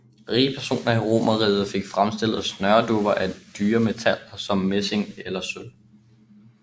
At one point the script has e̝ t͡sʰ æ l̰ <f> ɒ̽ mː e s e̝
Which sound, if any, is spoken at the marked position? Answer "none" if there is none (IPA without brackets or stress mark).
s